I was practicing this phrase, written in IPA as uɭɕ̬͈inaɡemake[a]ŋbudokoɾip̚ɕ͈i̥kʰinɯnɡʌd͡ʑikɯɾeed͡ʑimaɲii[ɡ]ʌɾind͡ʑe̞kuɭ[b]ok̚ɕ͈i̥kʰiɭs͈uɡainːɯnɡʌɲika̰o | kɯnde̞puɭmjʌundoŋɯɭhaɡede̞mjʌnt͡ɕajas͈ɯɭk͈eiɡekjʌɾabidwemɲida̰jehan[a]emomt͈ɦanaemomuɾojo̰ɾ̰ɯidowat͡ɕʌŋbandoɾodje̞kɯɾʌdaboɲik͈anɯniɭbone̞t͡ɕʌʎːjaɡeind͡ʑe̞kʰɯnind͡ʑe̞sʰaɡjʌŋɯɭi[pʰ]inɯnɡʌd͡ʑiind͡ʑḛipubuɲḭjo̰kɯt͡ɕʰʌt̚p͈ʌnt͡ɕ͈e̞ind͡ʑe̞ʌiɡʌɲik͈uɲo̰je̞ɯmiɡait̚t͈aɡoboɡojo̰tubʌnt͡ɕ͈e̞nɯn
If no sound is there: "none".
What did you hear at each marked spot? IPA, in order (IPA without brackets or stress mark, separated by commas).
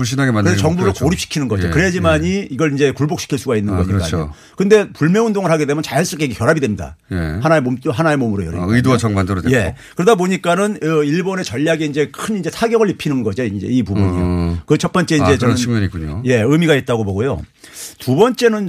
ʌ, ɡ, b, a, pʰ